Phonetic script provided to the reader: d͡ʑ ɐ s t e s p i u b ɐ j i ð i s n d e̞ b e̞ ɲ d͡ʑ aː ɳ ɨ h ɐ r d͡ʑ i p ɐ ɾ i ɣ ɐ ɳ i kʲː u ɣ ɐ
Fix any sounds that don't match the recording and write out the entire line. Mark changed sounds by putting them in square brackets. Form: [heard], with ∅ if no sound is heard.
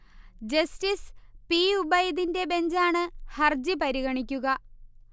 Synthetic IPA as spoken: d͡ʑ ɐ s t [i] s p i u b ɐ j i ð i [∅] n d e̞ b e̞ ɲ d͡ʑ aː ɳ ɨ h ɐ r d͡ʑ i p ɐ ɾ i ɣ ɐ ɳ i kʲː u ɣ ɐ